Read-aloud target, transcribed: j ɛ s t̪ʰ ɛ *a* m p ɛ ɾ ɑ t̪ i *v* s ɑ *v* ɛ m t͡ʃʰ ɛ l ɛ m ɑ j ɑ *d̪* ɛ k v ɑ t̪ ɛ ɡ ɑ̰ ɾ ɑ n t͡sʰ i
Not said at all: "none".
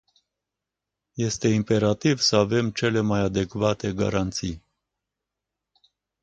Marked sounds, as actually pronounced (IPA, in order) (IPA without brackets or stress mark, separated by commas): i, v, v, d̪